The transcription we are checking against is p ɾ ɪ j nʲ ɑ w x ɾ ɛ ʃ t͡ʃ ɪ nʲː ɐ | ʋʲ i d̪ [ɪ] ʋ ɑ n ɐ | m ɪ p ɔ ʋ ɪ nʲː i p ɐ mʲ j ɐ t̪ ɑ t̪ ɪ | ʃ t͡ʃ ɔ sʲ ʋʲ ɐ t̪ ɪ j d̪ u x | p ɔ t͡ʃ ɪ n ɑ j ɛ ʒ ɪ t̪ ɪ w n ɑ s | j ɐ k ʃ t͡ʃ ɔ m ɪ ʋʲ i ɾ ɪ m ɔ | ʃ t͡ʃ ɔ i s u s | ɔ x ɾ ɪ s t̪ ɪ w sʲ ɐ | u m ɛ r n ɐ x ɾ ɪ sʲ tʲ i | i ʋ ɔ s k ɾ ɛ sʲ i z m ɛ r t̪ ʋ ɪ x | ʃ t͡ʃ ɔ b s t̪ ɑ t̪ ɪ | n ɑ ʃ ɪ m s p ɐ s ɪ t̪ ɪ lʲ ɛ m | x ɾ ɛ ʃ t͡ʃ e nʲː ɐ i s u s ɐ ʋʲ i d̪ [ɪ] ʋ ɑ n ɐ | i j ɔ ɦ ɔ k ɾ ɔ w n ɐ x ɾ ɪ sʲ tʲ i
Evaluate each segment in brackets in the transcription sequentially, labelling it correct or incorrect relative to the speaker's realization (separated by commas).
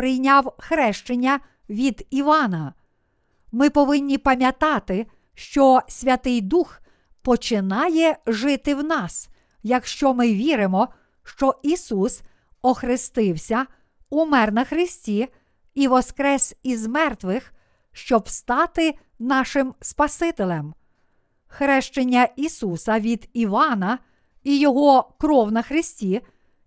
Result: incorrect, incorrect